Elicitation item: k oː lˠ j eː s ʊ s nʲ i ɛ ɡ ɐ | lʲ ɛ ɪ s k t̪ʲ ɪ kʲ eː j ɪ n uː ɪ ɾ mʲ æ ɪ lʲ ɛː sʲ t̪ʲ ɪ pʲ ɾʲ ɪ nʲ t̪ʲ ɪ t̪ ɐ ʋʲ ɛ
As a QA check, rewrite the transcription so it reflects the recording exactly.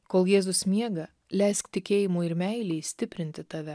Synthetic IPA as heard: k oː lˠ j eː z ʊ s mʲ i ɛ ɡ ɐ | lʲ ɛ ɪ s k t̪ʲ ɪ kʲ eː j ɪ m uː ɪ ɾ mʲ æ ɪ lʲ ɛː sʲ t̪ʲ ɪ pʲ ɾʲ ɪ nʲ t̪ʲ ɪ t̪ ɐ ʋʲ ɛ